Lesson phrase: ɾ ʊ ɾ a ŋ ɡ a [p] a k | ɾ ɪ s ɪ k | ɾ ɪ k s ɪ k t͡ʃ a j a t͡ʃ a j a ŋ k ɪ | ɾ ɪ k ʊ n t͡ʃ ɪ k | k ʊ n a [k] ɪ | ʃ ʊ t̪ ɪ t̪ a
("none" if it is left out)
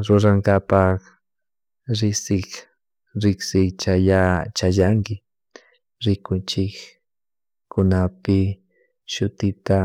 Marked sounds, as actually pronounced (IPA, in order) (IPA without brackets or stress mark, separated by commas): p, p